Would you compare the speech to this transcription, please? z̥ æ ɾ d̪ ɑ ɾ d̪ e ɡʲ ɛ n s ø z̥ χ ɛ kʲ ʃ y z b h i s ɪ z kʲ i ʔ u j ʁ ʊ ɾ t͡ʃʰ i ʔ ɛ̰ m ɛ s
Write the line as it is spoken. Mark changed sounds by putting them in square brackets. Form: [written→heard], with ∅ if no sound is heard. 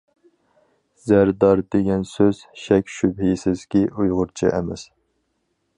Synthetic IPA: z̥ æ ɾ d̪ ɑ ɾ d̪ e ɡʲ ɛ n s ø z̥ [χ→ʃ] ɛ kʲ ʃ y [z→∅] b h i s ɪ z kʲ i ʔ u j ʁ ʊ ɾ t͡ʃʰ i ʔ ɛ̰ m ɛ s